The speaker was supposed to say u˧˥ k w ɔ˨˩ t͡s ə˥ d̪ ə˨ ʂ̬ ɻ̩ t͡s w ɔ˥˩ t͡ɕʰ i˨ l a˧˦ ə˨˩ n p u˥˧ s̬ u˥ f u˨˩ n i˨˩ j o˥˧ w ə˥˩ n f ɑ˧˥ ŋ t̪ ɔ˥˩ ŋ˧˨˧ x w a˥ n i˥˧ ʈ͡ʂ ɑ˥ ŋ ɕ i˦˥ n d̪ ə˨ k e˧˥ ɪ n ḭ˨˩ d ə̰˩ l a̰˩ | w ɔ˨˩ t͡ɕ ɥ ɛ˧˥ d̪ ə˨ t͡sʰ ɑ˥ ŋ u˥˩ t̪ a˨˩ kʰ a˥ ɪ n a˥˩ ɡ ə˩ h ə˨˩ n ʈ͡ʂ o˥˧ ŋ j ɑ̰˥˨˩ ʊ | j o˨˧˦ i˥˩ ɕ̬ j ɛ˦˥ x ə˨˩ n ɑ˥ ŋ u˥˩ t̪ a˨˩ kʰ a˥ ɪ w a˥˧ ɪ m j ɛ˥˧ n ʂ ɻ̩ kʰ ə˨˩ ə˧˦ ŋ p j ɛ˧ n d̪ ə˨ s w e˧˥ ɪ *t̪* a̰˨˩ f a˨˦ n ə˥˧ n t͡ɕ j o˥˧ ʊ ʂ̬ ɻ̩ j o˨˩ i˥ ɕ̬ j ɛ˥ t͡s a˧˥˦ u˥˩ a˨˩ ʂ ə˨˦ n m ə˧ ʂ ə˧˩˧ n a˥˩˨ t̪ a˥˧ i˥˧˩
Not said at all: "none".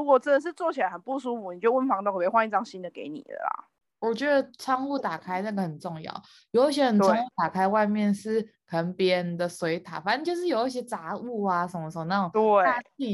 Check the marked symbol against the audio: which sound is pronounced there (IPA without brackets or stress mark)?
t̪ʰ